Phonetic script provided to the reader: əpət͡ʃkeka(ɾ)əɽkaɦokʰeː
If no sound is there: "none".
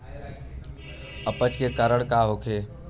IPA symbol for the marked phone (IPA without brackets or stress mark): ɾ